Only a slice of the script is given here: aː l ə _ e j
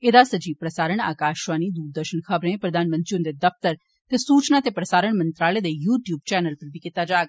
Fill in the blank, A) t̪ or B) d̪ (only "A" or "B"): B